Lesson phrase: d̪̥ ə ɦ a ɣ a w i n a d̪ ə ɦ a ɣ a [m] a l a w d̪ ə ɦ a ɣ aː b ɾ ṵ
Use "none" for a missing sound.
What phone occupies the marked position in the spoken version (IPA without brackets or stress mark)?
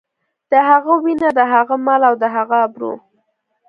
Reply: m